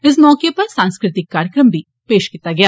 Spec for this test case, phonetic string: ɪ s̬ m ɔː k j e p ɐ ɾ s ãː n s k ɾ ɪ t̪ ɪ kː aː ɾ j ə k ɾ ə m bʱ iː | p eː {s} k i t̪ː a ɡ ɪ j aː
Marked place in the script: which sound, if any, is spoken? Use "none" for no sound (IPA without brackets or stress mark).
ʃ